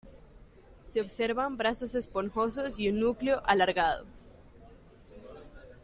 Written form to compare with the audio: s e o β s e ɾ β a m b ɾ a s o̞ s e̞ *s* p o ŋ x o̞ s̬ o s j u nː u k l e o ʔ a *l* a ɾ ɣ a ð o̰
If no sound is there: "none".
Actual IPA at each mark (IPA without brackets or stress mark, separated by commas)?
s, l